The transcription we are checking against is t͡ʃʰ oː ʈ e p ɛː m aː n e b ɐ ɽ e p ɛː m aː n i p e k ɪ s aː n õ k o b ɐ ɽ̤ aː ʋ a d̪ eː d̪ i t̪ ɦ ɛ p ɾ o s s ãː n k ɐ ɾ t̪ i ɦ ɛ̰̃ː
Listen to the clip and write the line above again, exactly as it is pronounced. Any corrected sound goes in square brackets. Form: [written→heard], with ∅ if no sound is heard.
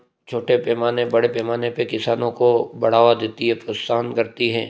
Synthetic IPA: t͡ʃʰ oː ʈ e p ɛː m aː n e b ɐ ɽ e p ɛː m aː n [i→e] p e k ɪ s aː n õ k o b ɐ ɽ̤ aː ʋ a d̪ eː [d̪→t̪] i [t̪→∅] ɦ ɛ p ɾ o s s [ãː→aː] n k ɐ ɾ t̪ i ɦ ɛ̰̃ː